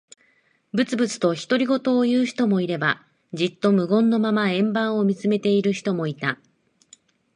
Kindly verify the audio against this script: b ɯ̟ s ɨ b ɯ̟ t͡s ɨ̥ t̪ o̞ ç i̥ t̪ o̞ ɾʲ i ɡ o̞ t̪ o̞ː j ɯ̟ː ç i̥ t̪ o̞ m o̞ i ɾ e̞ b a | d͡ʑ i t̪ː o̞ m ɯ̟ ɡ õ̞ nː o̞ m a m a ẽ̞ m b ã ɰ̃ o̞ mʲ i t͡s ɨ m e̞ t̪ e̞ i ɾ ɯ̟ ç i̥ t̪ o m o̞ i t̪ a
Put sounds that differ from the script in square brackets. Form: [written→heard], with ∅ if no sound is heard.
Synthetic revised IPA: b ɯ̟ [s→t͡s] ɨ b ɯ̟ t͡s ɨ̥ t̪ o̞ ç i̥ t̪ o̞ ɾʲ i ɡ o̞ t̪ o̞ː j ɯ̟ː ç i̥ t̪ o̞ m o̞ i ɾ e̞ b a | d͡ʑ i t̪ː o̞ m ɯ̟ ɡ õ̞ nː o̞ m a m a ẽ̞ m b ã ɰ̃ o̞ mʲ i t͡s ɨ m e̞ t̪ e̞ i ɾ ɯ̟ ç i̥ t̪ o m o̞ i t̪ a